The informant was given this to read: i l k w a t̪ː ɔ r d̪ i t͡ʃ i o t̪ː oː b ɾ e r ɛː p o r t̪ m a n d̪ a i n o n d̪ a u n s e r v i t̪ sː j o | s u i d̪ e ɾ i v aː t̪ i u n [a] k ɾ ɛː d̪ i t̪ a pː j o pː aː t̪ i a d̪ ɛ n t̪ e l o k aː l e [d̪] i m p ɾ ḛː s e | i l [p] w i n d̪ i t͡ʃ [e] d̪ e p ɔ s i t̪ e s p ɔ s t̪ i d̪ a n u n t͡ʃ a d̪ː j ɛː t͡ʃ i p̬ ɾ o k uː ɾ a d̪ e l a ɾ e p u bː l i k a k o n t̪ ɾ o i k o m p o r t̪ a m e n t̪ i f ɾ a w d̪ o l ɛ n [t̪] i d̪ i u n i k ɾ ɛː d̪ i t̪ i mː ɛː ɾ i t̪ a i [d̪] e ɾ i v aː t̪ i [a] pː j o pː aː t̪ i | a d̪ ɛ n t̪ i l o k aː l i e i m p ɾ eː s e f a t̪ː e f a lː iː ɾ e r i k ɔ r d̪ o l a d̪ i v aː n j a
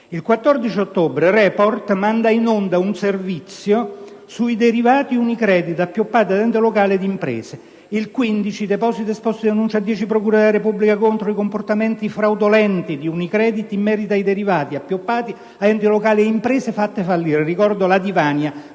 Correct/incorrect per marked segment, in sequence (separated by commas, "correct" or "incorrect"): incorrect, correct, incorrect, incorrect, correct, correct, correct